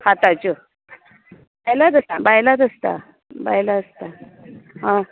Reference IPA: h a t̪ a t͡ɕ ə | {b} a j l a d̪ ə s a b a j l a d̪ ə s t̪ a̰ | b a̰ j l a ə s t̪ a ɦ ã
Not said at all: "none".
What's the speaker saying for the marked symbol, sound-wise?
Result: b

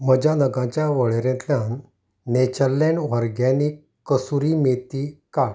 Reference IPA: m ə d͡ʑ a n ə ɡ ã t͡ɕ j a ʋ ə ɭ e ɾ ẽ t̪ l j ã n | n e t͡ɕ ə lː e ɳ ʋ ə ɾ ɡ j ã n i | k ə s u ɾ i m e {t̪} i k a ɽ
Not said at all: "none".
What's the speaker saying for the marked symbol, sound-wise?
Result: t̪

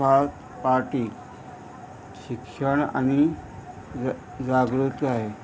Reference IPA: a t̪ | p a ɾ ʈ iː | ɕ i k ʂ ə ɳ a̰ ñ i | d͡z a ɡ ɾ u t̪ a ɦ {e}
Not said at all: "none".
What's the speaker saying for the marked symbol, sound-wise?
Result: e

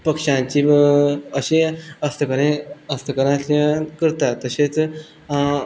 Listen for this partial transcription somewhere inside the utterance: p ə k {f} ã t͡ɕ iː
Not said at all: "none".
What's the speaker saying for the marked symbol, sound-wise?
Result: ʂ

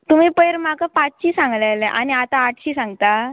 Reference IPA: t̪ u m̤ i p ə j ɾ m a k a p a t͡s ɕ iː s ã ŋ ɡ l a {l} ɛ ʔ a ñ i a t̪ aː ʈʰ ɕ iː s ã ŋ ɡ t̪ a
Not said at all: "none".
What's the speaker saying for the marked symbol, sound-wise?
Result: l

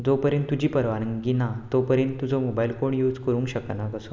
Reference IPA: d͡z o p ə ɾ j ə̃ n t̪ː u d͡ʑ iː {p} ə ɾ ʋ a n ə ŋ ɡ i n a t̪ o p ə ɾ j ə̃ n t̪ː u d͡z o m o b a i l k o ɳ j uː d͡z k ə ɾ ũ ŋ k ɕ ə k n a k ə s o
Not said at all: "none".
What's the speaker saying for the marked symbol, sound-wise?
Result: p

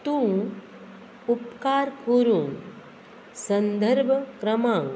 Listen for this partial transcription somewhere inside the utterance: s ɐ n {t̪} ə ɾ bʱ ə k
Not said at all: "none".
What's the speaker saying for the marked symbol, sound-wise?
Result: d̪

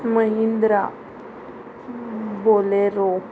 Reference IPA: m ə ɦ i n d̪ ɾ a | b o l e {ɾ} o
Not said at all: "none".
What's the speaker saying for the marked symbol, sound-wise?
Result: ɾ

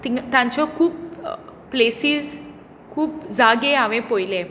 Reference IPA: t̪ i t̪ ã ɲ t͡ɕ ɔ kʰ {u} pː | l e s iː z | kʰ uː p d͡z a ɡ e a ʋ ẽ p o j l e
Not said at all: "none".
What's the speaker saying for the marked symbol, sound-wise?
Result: uː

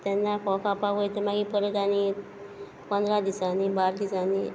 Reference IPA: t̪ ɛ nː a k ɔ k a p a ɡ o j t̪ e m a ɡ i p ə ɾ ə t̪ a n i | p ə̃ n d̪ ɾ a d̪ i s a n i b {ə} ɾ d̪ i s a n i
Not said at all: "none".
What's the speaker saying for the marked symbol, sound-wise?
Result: a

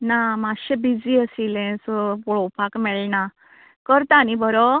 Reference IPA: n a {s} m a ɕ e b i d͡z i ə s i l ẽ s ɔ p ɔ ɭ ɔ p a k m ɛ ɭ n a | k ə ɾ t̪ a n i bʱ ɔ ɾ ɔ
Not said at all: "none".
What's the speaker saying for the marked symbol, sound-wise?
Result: none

